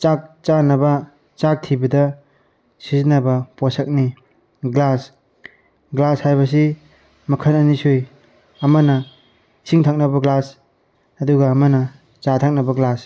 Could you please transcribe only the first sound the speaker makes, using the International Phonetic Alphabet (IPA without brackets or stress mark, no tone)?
t͡ʃ